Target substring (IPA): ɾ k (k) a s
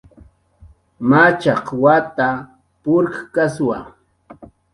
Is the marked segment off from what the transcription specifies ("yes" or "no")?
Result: no